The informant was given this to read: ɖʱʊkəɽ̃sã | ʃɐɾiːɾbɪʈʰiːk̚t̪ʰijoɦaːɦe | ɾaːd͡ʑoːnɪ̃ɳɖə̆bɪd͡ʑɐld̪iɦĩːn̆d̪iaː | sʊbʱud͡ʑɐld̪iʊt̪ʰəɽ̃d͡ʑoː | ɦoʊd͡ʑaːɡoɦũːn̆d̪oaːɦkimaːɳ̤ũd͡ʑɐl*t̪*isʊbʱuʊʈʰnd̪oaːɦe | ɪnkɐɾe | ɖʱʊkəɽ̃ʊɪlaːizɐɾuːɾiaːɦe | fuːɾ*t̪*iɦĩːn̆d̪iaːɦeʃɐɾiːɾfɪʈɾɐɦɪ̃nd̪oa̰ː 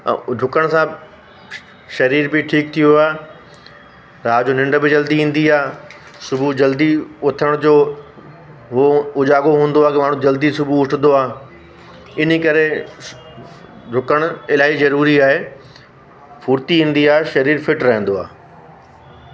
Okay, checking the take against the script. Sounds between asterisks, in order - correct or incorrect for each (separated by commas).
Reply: incorrect, correct